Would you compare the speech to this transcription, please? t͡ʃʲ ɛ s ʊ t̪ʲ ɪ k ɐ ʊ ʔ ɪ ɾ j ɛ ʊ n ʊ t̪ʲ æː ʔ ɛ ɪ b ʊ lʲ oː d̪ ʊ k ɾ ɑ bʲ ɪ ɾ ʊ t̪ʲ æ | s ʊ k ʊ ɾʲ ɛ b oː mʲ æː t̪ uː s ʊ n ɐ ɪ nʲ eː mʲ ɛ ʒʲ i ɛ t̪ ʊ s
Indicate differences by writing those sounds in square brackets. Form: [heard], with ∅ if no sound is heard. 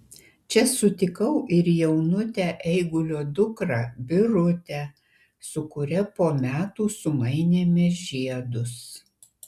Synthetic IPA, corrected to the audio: t͡ʃʲ ɛ s ʊ t̪ʲ ɪ k ɐ ʊ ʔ ɪ ɾ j ɛ ʊ n ʊ t̪ʲ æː ʔ ɛ ɪ [ɡ] ʊ lʲ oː d̪ ʊ k ɾ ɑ bʲ ɪ ɾ ʊ t̪ʲ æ | s ʊ k ʊ ɾʲ ɛ [p] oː mʲ æː t̪ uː s ʊ [m] ɐ ɪ nʲ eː mʲ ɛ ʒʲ i ɛ [d̪] ʊ s